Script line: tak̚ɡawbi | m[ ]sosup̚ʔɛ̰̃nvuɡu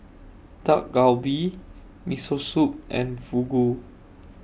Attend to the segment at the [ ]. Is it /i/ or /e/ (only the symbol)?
i